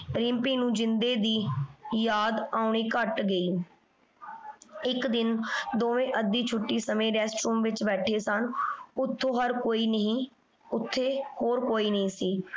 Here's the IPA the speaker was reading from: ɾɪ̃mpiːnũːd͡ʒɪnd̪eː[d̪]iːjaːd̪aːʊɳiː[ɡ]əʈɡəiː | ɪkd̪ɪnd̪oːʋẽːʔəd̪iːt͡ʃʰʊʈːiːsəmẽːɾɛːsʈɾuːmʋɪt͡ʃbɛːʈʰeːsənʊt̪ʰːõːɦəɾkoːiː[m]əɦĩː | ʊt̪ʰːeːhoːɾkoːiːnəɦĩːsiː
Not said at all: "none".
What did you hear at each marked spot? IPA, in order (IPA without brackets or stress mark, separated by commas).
d̪, k, n